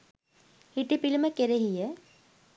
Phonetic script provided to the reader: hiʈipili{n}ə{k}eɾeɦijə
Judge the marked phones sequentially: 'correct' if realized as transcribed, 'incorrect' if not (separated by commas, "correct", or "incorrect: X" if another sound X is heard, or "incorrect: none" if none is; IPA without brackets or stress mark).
incorrect: m, correct